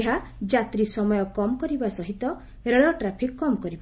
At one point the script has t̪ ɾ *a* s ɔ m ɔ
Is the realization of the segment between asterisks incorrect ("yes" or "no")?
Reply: yes